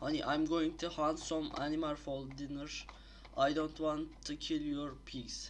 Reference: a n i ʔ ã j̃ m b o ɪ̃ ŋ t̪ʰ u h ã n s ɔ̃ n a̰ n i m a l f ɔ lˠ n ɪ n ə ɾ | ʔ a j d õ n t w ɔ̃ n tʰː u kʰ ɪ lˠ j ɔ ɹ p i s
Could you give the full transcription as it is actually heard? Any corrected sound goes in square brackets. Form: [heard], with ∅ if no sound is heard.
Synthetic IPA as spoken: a n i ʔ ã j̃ m [ɡ] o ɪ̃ ŋ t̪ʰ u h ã n s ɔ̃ [m] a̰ n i m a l f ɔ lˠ [d] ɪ n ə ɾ | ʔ a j d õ n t w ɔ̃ n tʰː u kʰ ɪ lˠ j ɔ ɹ [pʰ] i s